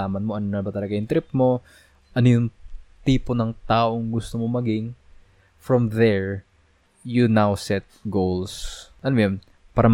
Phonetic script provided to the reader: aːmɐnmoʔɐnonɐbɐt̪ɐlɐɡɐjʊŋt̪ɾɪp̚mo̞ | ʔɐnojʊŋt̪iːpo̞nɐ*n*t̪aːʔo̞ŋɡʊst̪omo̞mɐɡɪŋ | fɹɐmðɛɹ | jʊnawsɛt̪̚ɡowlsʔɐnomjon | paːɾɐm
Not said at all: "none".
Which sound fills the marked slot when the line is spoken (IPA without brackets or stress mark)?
ŋ